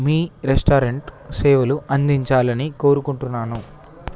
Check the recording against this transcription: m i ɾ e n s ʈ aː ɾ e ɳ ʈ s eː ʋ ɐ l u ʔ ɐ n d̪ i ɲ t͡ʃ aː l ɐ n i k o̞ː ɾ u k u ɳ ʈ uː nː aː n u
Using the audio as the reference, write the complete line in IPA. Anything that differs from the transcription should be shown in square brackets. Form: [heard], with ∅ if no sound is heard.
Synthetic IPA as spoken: m [iː] ɾ e [∅] s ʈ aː ɾ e ɳ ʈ s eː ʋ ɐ l u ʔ ɐ n d̪ i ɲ t͡ʃ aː l ɐ n i k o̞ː ɾ u k u ɳ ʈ [u] nː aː n u